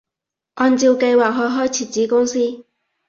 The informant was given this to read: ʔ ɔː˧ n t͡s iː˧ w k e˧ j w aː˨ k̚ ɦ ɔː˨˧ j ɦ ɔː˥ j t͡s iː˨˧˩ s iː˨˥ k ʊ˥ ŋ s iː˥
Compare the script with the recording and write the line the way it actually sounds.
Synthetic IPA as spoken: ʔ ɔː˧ n t͡s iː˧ w k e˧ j w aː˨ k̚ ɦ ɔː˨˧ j ɦ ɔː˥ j t͡sʰ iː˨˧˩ t͡s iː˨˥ k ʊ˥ ŋ s iː˥